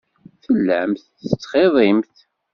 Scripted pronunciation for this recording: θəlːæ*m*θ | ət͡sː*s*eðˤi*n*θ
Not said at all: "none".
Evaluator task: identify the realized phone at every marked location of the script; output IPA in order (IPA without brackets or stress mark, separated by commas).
m, χ, m